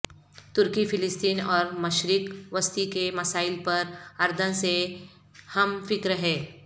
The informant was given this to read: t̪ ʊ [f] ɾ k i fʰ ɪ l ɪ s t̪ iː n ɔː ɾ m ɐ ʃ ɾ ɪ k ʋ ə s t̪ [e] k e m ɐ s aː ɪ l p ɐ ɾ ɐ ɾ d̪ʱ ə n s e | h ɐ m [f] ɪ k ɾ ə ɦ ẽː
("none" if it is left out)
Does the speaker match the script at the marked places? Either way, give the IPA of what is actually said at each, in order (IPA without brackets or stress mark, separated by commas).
none, i, f